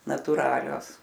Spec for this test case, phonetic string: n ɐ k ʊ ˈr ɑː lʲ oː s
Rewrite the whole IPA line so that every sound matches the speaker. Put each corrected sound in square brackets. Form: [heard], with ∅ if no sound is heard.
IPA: n ɐ [t] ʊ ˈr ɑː lʲ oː s